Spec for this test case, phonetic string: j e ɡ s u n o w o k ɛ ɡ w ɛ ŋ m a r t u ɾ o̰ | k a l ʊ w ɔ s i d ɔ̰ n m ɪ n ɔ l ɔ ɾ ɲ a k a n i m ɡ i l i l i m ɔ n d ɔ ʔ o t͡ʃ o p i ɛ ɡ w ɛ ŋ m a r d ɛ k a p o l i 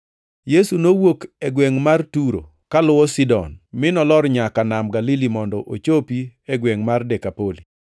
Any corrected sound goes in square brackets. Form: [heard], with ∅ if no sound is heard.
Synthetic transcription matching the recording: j e [∅] s u n o w o k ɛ ɡ w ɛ ŋ m a r t u ɾ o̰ | k a l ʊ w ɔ s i d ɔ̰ n m ɪ n ɔ l ɔ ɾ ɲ a k a n [a] m ɡ [a] l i l i m ɔ n d ɔ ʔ o t͡ʃ o p i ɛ ɡ w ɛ ŋ m a r d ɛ k a p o l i